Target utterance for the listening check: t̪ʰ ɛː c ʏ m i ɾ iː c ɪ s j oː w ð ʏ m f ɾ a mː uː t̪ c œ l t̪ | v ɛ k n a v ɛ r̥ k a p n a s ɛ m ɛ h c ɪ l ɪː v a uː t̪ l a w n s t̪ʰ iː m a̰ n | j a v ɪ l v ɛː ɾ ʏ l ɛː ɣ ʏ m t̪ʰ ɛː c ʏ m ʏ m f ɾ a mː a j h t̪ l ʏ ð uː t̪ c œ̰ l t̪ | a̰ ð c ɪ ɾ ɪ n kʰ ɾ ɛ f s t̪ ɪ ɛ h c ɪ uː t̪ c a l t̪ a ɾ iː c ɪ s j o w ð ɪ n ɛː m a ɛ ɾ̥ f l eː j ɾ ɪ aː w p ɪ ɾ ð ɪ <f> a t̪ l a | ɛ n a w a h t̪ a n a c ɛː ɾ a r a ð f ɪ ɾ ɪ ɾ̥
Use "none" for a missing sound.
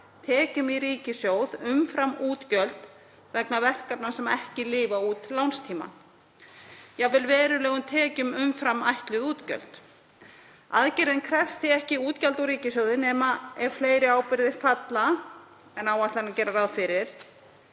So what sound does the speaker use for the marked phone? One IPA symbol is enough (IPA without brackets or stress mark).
f